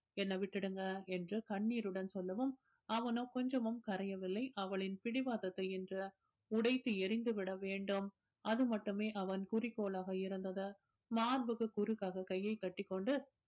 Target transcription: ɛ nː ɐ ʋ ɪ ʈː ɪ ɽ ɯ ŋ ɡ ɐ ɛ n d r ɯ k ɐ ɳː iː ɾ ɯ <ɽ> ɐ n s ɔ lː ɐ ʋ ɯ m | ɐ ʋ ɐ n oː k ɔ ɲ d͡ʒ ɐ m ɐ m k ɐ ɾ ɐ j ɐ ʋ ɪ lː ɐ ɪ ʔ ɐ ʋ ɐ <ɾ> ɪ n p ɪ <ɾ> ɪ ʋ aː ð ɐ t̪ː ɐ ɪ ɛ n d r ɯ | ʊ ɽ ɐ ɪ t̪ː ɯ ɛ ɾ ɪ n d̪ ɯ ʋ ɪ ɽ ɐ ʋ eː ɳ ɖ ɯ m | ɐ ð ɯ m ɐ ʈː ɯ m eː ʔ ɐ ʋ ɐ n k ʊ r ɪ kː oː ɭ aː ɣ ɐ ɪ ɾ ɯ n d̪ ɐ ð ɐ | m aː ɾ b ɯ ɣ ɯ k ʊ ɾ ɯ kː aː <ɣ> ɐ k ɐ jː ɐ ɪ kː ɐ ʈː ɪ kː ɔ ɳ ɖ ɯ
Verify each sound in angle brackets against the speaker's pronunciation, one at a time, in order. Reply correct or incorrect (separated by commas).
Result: correct, incorrect, incorrect, correct